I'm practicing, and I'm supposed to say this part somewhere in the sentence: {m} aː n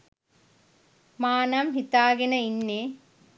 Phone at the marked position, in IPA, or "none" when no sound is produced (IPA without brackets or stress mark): m